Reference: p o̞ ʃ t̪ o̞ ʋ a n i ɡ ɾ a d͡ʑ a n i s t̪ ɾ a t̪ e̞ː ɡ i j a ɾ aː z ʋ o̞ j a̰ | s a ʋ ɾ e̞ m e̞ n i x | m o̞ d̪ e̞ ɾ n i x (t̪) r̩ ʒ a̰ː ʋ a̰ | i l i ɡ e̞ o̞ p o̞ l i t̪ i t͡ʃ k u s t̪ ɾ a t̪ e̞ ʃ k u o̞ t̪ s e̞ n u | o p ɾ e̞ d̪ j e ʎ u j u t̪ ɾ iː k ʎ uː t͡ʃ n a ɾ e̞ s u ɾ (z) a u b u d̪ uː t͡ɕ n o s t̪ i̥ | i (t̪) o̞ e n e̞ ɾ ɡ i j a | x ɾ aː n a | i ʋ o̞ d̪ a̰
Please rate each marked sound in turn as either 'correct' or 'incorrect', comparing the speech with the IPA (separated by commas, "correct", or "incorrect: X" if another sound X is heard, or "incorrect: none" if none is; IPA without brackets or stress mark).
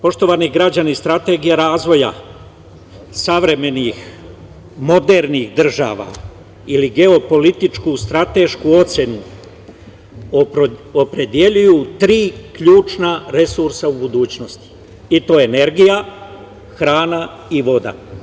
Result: incorrect: d̪, incorrect: s, correct